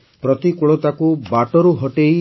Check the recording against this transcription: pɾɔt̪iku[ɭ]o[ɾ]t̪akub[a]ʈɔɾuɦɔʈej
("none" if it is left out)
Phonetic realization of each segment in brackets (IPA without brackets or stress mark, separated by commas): ɭ, none, a